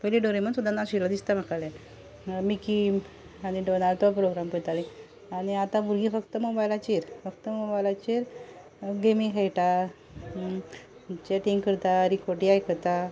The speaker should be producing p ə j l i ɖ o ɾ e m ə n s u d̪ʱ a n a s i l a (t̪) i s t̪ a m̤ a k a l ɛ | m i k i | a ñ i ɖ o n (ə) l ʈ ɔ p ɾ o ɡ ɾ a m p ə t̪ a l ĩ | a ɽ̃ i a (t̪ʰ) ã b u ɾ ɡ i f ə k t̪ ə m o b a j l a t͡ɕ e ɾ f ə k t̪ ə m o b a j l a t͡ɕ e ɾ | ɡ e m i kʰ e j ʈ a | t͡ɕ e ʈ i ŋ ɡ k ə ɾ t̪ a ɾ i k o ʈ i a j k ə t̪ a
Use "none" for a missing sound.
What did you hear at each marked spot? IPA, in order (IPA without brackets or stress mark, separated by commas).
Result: d̪, a, t̪